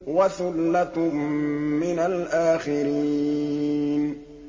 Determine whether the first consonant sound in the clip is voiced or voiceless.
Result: voiced